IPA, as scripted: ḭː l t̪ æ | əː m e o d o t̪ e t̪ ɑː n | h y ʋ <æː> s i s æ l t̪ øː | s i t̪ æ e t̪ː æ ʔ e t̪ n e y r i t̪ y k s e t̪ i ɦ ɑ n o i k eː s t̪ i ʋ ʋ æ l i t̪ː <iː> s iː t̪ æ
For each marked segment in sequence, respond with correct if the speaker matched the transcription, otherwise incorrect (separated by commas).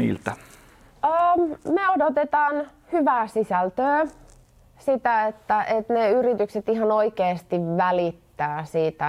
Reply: correct, incorrect